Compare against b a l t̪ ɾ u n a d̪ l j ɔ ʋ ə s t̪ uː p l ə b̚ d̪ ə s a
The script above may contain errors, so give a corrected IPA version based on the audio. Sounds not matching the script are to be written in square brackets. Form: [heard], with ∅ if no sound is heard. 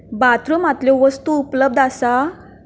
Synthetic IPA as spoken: b a [∅] t̪ ɾ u [m] a [t̪] l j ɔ ʋ ə s t̪ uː p l ə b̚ d̪ [a] s a